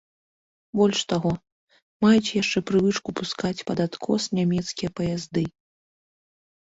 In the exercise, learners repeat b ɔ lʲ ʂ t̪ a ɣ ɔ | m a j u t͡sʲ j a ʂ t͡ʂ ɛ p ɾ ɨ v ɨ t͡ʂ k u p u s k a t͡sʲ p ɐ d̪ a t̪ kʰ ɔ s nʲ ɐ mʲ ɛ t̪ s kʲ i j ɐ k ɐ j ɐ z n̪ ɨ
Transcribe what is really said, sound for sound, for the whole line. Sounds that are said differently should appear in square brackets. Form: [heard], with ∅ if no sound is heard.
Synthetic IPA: b ɔ lʲ ʂ t̪ a ɣ ɔ | m a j u t͡sʲ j a ʂ t͡ʂ ɛ p ɾ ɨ v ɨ t͡ʂ k u p u s k a t͡sʲ p ɐ d̪ a t̪ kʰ ɔ s nʲ [a] mʲ ɛ t̪ s kʲ i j ɐ [p] ɐ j [a] z [d̪] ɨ